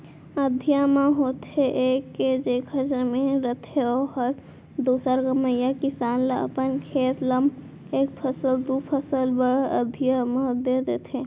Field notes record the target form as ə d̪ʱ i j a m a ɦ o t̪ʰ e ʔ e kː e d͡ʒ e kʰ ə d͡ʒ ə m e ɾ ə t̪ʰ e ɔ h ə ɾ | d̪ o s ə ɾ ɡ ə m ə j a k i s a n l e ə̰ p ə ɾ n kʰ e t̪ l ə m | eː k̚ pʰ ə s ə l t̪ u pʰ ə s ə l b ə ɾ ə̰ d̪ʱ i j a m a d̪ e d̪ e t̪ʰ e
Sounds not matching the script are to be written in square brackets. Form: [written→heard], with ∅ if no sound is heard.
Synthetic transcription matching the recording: ə d̪ʱ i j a m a ɦ o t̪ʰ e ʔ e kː e d͡ʒ e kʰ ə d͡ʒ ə m e ɾ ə t̪ʰ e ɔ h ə ɾ | d̪ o s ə ɾ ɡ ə m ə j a k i s a n l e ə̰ p ə [ɾ→∅] n kʰ e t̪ l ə m | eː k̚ pʰ ə s ə l [t̪→d̪] u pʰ ə s ə l b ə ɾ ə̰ d̪ʱ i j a m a d̪ e d̪ e t̪ʰ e